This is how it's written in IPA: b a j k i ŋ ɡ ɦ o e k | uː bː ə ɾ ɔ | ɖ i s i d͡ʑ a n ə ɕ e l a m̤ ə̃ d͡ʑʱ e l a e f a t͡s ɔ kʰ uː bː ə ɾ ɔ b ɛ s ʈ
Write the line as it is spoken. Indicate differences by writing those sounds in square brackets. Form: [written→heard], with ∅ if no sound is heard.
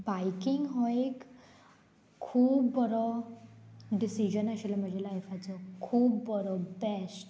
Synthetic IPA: b a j k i ŋ ɡ ɦ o e k | uː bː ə ɾ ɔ | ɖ i s i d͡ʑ [a→ə] n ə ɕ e l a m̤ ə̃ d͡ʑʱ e l a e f a t͡s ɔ kʰ uː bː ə ɾ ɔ b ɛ s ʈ